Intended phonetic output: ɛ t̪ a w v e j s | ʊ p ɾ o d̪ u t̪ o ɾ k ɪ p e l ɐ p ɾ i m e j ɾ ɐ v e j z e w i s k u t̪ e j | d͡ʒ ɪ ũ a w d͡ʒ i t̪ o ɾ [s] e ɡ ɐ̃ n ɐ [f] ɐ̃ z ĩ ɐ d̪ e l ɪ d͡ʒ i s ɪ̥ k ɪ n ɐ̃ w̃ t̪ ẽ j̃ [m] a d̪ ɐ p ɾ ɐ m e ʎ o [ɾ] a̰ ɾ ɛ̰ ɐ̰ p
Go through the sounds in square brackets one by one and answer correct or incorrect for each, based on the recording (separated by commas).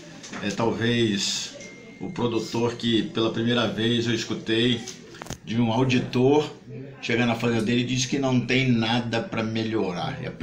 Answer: incorrect, correct, incorrect, correct